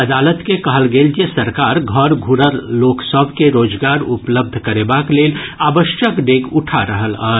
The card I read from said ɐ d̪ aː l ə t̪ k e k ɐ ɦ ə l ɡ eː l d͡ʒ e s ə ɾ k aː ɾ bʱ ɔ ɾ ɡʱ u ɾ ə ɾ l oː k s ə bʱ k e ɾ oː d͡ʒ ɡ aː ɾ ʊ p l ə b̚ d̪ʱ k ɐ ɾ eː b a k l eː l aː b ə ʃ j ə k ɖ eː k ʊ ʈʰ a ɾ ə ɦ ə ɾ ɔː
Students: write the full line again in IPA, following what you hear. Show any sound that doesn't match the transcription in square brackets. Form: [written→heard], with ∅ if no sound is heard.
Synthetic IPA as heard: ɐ d̪ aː l ə t̪ k e k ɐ ɦ ə l ɡ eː l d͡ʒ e s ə ɾ k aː ɾ [bʱ→ɡʱ] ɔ ɾ ɡʱ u ɾ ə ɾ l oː k s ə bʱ k e ɾ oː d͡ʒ ɡ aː ɾ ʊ p l ə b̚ d̪ʱ k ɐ ɾ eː b a k l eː l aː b ə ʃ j ə k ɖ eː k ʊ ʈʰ a ɾ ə ɦ ə [ɾ→l] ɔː